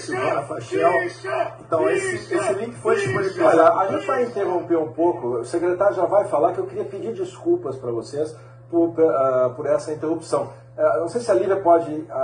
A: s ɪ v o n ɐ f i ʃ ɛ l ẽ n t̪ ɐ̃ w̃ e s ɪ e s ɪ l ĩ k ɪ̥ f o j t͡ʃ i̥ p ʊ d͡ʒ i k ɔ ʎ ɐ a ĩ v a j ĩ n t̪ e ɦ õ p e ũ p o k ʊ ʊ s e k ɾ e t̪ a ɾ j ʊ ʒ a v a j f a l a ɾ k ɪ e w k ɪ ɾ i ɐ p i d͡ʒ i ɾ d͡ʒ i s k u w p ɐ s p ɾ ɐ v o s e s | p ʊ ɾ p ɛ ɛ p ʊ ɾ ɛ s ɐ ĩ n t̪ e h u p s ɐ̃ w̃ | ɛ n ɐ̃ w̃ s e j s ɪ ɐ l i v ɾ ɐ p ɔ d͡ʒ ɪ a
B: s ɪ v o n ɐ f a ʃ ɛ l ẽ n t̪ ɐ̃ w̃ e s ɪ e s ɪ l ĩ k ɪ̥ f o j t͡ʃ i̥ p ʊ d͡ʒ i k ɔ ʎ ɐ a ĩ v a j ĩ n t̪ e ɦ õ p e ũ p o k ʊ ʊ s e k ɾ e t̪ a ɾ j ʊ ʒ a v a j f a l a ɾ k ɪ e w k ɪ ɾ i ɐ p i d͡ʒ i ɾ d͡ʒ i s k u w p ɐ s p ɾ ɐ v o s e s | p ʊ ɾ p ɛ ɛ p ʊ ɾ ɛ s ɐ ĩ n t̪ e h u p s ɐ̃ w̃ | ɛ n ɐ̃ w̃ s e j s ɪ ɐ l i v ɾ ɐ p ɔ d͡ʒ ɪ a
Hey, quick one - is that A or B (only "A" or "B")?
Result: B